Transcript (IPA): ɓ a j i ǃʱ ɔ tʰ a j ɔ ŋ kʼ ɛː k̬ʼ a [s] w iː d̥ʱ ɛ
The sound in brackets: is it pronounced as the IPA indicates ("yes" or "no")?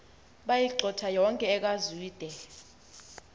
no